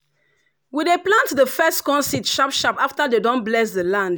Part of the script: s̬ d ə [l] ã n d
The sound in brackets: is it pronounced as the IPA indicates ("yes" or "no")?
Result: yes